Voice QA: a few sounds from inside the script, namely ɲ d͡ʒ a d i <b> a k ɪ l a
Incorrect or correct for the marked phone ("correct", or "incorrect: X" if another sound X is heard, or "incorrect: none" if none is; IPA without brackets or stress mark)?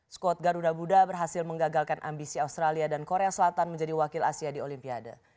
incorrect: w